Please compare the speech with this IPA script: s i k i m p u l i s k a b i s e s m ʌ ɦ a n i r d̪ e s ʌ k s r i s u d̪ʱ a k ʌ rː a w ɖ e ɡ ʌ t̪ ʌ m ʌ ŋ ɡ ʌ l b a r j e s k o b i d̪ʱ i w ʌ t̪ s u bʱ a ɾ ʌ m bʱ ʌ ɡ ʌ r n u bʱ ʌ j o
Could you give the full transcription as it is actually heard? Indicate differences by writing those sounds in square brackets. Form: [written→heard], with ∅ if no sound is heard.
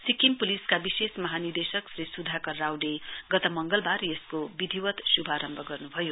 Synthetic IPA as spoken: s i k i m p u l i s k a b i s e s m ʌ ɦ a n i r d̪ e s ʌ k s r i s u d̪ʱ a k ʌ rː a w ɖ e ɡ ʌ t̪ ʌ m ʌ ŋ ɡ ʌ l b a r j e s k o b i d̪ʱ i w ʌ t̪ s u bʱ a ɾ ʌ m bʱ ʌ ɡ ʌ r n u bʱ ʌ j o